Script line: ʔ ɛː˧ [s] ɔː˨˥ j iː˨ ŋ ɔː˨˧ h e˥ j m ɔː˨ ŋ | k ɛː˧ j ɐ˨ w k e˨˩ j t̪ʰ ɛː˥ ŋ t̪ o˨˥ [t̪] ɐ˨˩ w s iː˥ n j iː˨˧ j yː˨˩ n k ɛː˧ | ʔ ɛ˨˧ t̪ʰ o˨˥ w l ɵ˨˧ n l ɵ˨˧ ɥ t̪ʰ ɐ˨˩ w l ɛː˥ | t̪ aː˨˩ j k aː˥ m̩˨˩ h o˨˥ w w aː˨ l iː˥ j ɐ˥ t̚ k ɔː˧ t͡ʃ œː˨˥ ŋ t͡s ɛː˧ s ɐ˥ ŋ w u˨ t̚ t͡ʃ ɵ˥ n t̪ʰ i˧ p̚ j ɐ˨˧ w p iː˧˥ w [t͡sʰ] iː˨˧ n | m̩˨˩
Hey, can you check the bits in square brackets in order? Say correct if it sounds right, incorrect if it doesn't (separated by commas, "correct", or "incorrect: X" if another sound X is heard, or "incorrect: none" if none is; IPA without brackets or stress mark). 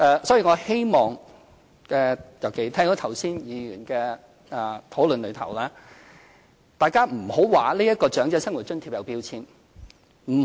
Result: correct, incorrect: t̪ʰ, correct